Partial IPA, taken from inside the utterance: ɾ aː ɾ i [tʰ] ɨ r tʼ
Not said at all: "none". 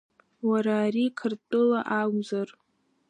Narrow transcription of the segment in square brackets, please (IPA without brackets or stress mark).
kʰ